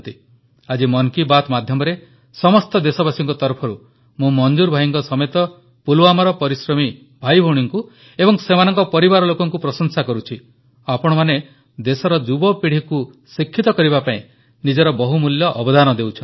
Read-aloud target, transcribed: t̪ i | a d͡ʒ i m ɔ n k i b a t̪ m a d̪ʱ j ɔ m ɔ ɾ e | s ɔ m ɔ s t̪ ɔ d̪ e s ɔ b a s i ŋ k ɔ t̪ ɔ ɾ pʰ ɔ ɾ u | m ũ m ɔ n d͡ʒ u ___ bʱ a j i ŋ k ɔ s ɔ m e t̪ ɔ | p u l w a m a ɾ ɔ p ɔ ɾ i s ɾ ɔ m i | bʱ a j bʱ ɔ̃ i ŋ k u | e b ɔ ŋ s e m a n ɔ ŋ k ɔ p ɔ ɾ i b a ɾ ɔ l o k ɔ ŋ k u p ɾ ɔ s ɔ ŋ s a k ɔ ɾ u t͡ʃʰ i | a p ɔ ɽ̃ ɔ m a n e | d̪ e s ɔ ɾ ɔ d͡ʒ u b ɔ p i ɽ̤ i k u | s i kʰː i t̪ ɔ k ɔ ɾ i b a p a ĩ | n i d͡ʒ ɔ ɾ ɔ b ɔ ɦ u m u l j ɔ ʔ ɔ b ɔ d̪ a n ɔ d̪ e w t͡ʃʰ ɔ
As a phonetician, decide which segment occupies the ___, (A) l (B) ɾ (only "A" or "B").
B